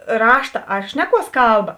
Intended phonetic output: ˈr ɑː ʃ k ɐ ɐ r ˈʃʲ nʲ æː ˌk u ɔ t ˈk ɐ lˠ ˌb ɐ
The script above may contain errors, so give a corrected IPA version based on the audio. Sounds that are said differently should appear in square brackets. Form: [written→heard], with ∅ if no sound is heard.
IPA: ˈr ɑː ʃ [k→t] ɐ ɐ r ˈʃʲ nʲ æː ˌk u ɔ [t→s] ˈk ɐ lˠ ˌb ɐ